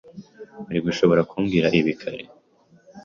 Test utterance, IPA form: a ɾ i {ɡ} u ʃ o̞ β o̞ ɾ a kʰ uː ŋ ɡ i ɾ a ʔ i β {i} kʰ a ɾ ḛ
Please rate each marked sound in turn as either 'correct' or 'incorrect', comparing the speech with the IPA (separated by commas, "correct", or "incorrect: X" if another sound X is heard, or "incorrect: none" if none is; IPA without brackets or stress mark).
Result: correct, correct